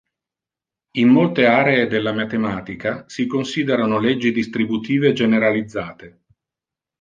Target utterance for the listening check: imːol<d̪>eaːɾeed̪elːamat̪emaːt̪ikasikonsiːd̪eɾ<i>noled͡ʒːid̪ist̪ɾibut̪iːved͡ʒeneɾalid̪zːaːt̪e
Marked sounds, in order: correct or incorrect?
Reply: incorrect: t̪, incorrect: a

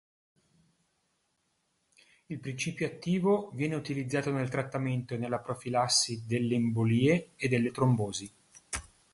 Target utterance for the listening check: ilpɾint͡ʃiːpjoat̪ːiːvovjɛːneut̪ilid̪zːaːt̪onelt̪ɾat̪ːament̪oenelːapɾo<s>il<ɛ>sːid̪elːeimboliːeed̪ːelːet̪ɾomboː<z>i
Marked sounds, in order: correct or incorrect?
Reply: incorrect: f, incorrect: a, correct

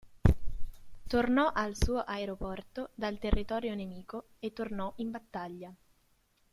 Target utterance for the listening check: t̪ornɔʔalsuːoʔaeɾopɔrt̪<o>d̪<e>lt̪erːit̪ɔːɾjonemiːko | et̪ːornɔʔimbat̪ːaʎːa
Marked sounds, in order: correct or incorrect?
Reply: correct, incorrect: a

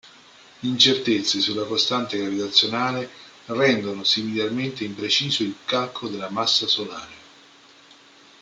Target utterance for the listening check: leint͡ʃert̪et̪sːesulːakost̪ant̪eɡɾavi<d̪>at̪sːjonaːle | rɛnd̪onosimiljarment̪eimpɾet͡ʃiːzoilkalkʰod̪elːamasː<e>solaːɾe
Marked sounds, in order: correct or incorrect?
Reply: incorrect: t̪, incorrect: a

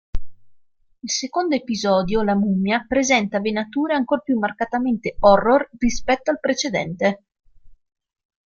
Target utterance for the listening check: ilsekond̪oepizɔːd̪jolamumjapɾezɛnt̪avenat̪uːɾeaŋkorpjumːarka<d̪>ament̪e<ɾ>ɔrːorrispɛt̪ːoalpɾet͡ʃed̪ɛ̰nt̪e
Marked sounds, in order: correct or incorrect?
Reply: incorrect: t̪, incorrect: none

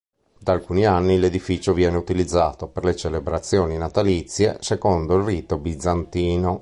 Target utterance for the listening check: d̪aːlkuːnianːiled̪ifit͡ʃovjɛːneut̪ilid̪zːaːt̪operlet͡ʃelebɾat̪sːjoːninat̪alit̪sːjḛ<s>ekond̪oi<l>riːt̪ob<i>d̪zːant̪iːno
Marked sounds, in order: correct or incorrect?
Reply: correct, correct, correct

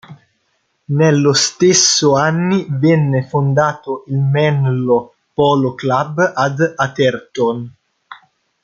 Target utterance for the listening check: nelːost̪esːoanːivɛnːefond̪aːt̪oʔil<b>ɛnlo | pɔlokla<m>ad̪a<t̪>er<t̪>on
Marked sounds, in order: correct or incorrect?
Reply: incorrect: m, incorrect: b, correct, correct

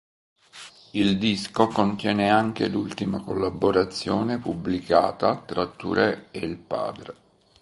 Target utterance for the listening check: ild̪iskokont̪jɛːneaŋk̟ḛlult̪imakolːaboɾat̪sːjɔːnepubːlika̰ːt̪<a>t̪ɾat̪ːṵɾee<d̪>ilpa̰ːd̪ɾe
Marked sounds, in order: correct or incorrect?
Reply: correct, incorrect: none

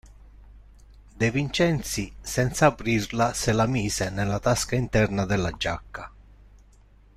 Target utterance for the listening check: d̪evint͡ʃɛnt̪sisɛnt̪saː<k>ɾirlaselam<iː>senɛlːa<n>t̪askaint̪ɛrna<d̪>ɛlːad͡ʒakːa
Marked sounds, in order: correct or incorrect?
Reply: incorrect: p, correct, incorrect: none, correct

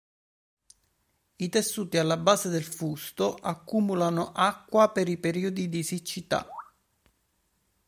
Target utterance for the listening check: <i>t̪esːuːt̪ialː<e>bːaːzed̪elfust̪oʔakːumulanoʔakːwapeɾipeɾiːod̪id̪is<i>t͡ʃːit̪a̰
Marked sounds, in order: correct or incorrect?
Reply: correct, incorrect: a, correct

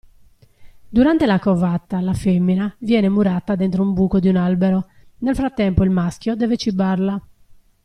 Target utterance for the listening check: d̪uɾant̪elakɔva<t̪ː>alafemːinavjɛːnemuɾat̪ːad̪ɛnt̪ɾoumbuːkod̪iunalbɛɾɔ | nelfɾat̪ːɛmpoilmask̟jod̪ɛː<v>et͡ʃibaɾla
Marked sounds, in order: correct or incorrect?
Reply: correct, correct

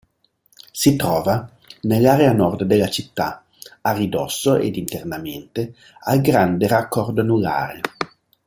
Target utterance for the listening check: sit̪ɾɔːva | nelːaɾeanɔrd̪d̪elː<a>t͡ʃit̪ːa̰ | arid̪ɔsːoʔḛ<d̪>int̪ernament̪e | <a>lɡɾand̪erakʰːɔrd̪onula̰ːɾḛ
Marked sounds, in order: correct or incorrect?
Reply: correct, correct, correct

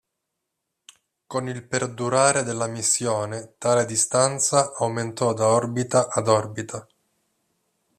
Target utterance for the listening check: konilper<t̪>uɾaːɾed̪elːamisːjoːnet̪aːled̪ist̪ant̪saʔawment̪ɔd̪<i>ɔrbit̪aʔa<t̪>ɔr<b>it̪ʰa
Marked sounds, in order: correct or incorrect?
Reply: incorrect: d̪, incorrect: a, incorrect: d̪, correct

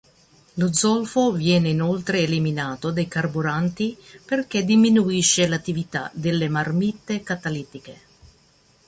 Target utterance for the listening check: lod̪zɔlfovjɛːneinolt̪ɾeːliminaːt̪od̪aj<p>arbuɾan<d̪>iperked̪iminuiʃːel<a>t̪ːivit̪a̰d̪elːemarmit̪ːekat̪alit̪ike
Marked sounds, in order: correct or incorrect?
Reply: incorrect: k, incorrect: t̪, correct

